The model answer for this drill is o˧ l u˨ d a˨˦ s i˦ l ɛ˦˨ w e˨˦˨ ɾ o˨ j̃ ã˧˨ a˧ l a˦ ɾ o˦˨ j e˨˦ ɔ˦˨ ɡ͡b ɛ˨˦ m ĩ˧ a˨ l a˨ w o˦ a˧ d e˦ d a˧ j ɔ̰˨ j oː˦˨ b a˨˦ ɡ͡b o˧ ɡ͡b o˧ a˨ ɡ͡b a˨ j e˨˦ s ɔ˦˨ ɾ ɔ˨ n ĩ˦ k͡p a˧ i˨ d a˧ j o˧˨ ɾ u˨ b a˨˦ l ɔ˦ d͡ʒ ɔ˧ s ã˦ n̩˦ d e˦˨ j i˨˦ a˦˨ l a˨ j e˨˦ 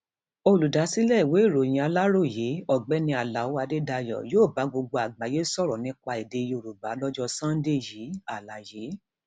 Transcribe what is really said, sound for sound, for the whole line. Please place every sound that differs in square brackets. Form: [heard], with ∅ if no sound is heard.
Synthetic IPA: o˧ l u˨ d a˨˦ s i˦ l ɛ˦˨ w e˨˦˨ ɾ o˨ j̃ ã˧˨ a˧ l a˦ ɾ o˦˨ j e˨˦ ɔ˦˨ ɡ͡b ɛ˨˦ [n] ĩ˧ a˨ l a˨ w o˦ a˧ d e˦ d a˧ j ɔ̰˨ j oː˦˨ b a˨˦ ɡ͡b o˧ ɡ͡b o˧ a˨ ɡ͡b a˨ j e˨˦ s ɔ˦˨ ɾ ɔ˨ n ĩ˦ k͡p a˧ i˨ d [e˧] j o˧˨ ɾ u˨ b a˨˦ l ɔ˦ d͡ʒ ɔ˧ s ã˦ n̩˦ d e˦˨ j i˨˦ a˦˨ l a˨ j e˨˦